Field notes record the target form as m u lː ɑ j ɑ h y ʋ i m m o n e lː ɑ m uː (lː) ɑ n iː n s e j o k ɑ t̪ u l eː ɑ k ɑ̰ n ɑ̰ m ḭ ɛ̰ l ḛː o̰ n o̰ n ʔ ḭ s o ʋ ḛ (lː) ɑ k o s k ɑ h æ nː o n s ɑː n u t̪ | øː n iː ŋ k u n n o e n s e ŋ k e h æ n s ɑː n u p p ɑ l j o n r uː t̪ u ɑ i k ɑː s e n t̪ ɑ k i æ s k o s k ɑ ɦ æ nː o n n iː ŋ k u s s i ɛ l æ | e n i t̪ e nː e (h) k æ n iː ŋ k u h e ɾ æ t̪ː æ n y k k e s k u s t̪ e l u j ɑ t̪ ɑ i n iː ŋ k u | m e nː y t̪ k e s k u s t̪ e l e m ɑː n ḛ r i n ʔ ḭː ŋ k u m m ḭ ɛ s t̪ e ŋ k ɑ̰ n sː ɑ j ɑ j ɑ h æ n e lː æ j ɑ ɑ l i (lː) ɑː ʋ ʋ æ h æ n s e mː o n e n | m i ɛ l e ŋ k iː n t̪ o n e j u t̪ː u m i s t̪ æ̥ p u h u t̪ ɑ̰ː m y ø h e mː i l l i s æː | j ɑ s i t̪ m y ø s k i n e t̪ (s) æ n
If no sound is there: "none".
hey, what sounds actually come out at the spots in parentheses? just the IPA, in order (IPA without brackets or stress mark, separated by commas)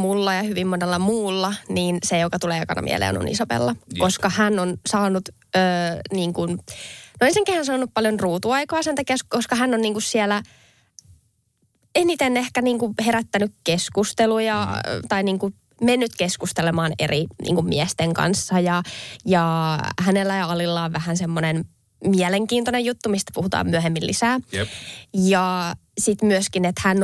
lː, lː, h, lː, h